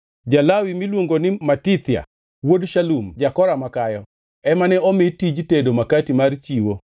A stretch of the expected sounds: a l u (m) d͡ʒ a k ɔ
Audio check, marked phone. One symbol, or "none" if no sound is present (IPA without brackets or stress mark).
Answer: m